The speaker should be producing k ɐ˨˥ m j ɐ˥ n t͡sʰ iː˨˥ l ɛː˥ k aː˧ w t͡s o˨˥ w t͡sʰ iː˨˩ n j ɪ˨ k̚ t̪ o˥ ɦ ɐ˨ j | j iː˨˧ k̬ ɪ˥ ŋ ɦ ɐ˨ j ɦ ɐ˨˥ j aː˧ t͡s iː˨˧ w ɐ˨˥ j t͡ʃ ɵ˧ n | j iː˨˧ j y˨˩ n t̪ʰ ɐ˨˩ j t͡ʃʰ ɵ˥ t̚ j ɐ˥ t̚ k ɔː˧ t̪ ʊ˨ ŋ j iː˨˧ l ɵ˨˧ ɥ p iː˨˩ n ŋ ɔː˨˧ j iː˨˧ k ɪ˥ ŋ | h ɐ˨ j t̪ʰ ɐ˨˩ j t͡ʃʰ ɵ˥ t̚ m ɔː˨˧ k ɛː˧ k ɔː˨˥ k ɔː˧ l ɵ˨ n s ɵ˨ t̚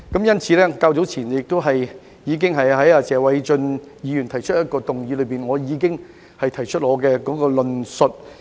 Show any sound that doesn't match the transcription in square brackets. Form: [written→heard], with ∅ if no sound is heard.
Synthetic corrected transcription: k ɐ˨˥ m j ɐ˥ n t͡sʰ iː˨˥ l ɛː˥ k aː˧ w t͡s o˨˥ w t͡sʰ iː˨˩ n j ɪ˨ k̚ t̪ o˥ ɦ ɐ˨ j | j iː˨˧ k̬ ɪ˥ ŋ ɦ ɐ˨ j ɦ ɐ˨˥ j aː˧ t͡s [iː˨˧→ɛː˨˧] w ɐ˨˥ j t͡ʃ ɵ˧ n | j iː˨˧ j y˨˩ n t̪ʰ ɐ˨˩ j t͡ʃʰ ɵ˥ t̚ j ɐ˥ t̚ k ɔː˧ t̪ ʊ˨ ŋ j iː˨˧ l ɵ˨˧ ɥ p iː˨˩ n ŋ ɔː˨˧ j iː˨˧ k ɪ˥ ŋ | h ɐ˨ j t̪ʰ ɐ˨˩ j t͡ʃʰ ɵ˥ t̚ [m→ŋ] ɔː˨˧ k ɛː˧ k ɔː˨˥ k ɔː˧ l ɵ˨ n s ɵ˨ t̚